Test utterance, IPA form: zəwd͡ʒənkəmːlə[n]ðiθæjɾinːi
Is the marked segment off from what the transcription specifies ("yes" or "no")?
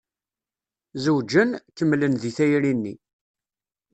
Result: no